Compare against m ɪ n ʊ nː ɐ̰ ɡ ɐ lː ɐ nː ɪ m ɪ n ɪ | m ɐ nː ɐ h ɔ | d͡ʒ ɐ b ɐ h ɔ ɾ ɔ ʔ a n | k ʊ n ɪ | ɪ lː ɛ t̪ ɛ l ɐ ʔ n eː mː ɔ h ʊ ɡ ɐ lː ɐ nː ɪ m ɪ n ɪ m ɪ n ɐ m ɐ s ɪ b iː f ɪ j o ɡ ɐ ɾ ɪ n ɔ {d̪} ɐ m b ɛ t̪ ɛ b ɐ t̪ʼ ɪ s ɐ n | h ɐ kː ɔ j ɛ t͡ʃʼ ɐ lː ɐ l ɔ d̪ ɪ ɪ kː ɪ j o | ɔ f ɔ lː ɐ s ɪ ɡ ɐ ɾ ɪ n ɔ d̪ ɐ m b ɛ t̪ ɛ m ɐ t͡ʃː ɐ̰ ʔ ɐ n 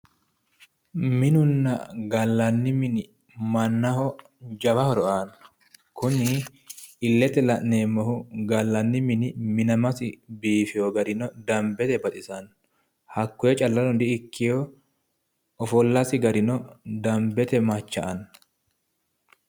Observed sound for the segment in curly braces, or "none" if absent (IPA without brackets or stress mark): d̪